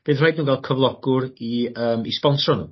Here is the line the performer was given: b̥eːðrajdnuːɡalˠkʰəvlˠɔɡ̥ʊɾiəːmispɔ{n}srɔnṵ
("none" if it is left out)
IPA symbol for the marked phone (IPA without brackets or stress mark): n